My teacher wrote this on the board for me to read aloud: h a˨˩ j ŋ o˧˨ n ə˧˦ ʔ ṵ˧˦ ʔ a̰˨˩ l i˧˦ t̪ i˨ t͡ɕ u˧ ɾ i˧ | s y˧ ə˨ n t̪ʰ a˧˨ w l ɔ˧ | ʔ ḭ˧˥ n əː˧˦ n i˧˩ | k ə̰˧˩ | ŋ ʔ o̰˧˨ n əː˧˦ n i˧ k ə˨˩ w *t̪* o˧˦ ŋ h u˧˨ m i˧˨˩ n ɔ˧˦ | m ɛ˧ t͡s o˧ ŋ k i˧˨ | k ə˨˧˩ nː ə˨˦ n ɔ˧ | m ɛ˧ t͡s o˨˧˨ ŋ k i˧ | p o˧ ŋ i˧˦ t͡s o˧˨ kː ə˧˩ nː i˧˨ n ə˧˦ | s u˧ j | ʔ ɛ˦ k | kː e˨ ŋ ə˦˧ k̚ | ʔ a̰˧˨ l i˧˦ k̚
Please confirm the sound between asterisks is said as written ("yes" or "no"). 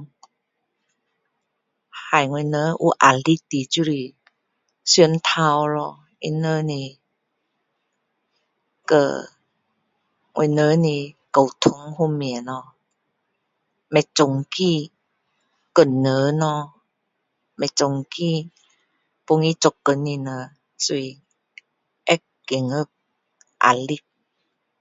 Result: no